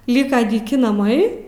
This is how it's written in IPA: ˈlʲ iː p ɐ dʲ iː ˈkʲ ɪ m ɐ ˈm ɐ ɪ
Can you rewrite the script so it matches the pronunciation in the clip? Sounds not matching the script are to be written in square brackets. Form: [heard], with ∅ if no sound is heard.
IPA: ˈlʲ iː [k] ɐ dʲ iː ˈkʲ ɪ [n] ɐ ˈm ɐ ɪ